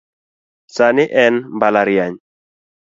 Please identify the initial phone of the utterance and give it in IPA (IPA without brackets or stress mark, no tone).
s